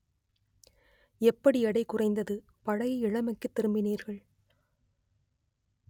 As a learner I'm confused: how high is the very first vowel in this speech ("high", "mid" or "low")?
mid